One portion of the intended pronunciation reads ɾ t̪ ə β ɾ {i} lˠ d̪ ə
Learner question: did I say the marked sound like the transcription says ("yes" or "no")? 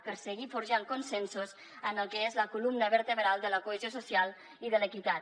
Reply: no